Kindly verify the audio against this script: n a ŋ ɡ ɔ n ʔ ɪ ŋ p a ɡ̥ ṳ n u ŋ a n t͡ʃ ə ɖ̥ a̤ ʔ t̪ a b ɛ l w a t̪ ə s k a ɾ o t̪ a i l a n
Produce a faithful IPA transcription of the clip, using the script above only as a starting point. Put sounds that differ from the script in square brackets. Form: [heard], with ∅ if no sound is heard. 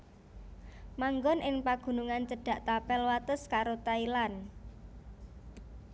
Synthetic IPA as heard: [m] a ŋ ɡ ɔ n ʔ ɪ ŋ p a ɡ̥ ṳ n u ŋ a n t͡ʃ ə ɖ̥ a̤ ʔ t̪ a [p] ɛ l w a t̪ ə s k a ɾ o t̪ a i l a n

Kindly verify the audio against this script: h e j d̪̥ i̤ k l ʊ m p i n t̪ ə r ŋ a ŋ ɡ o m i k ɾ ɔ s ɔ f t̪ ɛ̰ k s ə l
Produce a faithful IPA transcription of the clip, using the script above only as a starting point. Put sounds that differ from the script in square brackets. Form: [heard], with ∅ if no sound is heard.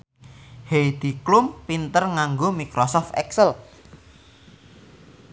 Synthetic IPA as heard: h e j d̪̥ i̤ k l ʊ m p i n t̪ ə r ŋ a ŋ ɡ o m i k ɾ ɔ s ɔ f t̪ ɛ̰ k s ə l

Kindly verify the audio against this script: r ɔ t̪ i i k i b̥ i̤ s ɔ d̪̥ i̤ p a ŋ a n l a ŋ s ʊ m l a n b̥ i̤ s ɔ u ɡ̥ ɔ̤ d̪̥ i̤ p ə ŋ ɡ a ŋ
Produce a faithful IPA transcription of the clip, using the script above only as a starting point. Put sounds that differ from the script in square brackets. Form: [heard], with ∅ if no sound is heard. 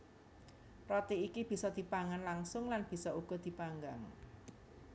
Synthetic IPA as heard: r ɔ t̪ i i k i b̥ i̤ s ɔ d̪̥ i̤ p a ŋ a n l a ŋ s ʊ [ŋ] l a n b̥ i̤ s ɔ u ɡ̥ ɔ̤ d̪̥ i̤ p [a] ŋ ɡ a ŋ

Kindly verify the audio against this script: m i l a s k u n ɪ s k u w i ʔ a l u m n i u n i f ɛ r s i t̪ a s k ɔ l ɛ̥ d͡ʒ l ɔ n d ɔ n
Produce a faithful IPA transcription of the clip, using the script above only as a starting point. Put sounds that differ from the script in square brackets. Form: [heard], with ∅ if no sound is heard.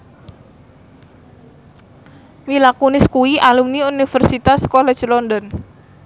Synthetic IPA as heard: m i l a [∅] k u n ɪ s k u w i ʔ a l u m n i u n i f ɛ r s i t̪ a s k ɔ l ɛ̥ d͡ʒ l ɔ n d ɔ n

